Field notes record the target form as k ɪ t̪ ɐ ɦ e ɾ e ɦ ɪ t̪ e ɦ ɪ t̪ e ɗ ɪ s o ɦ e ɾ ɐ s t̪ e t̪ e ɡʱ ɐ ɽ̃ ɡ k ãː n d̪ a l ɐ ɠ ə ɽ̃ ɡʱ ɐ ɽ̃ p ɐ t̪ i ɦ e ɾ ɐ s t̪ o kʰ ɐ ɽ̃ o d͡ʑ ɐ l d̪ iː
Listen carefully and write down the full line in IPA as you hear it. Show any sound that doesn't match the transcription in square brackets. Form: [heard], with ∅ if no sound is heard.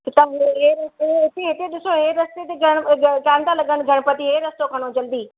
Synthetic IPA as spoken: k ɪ t̪ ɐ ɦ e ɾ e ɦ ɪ t̪ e ɦ ɪ t̪ e ɗ ɪ s o ɦ e ɾ ɐ s t̪ e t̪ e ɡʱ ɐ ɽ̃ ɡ k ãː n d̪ a l ɐ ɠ ə ɽ̃ ɡʱ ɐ ɽ̃ p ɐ t̪ i ɦ e ɾ ɐ s t̪ o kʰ ɐ ɽ̃ o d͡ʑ ɐ l d̪ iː